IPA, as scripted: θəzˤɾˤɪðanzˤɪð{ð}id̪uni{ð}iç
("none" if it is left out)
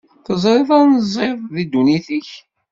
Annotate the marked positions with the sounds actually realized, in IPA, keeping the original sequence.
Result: ð, θ

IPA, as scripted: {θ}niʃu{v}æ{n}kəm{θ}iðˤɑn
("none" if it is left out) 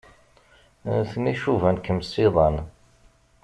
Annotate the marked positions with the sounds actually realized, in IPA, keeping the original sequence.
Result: θ, v, n, s

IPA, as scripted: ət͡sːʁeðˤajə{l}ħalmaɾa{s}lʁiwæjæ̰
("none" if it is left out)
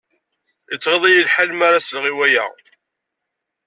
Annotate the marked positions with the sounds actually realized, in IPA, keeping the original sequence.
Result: l, s

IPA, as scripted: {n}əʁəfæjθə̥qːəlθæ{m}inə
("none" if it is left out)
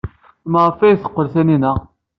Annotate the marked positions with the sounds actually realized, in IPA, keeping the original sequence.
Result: m, n

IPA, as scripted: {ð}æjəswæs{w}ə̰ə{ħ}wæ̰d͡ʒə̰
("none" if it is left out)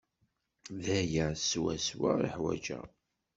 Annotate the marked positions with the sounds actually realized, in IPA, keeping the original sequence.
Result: ð, w, ħ

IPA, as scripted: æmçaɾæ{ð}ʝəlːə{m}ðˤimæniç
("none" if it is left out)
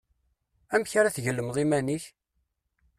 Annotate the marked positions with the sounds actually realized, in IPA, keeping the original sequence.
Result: θ, m

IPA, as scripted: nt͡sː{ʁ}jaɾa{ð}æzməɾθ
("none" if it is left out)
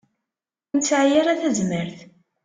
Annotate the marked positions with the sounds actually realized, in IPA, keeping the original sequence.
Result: ʕ, θ

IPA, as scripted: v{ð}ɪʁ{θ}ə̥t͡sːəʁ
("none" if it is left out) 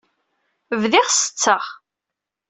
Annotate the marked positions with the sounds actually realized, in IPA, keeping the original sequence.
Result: ð, s

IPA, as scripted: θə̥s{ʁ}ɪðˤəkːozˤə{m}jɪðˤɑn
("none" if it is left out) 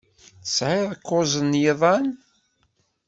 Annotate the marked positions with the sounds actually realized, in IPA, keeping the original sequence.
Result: ʕ, n

